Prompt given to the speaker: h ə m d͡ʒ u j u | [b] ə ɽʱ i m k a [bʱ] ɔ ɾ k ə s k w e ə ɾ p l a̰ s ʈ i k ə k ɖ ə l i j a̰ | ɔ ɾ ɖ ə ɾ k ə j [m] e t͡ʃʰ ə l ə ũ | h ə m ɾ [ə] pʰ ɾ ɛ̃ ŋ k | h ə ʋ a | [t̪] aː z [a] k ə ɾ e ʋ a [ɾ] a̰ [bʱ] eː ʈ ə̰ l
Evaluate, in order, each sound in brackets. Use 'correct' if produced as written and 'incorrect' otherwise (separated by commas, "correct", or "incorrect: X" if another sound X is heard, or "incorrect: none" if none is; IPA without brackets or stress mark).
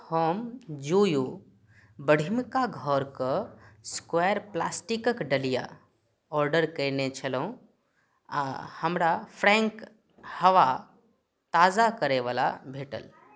correct, incorrect: ɡʱ, incorrect: n, incorrect: a, correct, correct, incorrect: l, correct